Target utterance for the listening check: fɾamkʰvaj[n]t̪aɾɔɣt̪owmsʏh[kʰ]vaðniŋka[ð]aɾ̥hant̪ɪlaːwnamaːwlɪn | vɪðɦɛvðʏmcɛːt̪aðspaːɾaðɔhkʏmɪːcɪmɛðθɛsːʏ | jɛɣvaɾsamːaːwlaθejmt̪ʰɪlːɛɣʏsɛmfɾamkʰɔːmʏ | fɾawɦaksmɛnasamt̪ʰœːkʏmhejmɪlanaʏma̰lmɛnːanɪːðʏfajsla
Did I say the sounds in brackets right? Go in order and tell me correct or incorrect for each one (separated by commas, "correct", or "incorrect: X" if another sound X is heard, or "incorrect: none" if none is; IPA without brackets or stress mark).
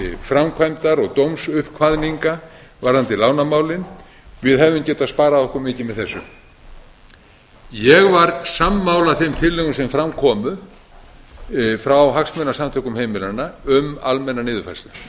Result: incorrect: m, correct, incorrect: v